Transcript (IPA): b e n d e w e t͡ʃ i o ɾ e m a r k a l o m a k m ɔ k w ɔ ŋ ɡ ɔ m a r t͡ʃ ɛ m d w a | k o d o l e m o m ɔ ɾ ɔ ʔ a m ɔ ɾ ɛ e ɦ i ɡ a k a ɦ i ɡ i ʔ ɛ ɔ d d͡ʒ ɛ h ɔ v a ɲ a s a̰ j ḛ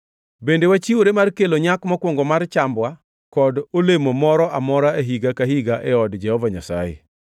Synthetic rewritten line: b e n d e w a t͡ʃ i o ɾ e m a r k e l o ɲ a k m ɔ k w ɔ ŋ ɡ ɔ m a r t͡ʃ a m b w a | k ɔ d o l e m o m ɔ ɾ ɔ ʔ a m ɔ ɾ a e ɦ i ɡ a k a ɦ i ɡ a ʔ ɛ ɔ d d͡ʒ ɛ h ɔ v a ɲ a s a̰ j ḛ